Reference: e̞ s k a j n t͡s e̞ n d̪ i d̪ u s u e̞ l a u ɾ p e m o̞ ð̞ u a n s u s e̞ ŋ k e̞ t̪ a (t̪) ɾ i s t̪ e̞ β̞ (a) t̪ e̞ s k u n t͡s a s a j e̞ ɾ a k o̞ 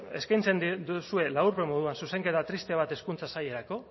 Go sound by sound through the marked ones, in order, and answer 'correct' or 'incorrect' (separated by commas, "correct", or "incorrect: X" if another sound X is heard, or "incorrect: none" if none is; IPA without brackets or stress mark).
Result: correct, correct